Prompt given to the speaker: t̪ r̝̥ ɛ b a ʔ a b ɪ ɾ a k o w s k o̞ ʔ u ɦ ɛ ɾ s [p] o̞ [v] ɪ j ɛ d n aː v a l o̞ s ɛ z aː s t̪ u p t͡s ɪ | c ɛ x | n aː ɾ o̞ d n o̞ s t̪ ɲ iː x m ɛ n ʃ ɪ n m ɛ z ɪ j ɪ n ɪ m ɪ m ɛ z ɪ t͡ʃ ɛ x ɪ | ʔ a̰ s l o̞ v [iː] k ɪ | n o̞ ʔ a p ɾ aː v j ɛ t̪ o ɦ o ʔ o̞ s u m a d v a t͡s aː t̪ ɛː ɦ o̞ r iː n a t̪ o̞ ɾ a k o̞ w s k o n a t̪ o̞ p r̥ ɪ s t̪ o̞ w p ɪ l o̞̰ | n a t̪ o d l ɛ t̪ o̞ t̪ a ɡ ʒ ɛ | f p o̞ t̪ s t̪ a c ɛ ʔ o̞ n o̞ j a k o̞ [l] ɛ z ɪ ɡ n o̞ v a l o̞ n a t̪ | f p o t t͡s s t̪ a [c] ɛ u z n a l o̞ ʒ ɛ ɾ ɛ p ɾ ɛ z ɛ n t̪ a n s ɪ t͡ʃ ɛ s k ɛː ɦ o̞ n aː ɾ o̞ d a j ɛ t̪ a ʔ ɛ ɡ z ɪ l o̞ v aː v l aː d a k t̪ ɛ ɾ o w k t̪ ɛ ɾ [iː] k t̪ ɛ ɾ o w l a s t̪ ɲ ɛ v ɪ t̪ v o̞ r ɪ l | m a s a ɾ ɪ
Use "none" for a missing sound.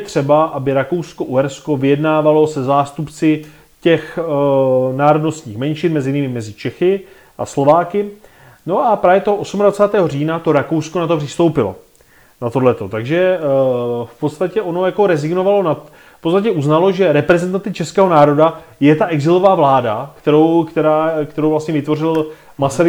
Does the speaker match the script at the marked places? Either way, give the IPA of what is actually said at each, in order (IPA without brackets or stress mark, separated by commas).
k, v, aː, ɾ, c, aː